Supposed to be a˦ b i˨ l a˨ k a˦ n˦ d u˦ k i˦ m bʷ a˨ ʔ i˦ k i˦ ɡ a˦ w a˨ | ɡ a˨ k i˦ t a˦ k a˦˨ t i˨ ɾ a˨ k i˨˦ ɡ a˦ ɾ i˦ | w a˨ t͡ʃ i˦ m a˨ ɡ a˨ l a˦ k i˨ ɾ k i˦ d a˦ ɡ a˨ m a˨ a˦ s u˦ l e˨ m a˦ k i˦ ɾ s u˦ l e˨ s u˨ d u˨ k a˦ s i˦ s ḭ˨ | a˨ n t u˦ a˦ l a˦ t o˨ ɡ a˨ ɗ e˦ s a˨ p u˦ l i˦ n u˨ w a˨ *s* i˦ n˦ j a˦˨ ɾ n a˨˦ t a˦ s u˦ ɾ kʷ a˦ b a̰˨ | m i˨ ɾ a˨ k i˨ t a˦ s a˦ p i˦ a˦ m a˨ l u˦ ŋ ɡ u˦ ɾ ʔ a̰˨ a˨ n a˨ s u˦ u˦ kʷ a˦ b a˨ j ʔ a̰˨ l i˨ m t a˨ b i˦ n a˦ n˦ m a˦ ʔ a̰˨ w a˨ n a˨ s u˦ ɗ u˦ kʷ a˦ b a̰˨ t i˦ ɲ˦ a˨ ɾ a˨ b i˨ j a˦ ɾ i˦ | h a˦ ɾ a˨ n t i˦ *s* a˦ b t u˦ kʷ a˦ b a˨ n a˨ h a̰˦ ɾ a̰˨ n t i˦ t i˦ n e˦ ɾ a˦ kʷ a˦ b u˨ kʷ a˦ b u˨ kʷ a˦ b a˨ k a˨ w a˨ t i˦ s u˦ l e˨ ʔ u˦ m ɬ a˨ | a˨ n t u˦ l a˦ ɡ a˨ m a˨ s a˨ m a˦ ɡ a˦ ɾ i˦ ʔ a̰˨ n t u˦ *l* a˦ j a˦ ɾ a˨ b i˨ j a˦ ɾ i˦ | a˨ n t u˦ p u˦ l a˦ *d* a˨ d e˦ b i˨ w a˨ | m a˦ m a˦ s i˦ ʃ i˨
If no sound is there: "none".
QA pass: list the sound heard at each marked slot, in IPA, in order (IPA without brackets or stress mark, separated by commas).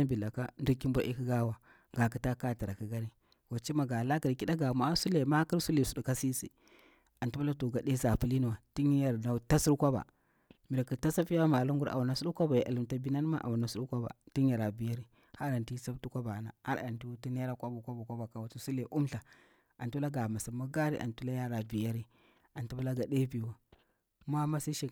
t, s, l, ɡ